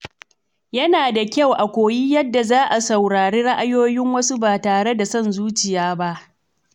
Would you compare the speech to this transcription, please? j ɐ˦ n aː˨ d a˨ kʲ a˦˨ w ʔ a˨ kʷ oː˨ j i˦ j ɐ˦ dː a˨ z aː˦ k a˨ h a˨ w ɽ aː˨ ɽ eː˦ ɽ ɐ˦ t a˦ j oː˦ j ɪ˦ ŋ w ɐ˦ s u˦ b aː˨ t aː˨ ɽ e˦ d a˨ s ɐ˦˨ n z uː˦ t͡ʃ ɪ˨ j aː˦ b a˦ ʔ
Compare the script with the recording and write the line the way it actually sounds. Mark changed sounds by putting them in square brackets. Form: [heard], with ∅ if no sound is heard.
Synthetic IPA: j ɐ˦ n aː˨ d a˨ kʲ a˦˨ w ʔ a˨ kʷ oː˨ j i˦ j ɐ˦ dː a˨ z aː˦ [ʔ] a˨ [s] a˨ w ɽ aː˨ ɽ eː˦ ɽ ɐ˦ [ʔ] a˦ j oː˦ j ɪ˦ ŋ w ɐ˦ s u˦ b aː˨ t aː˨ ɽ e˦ d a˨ s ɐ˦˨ n z uː˦ t͡ʃ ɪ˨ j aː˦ b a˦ ʔ